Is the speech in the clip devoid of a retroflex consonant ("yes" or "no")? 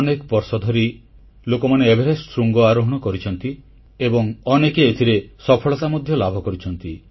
no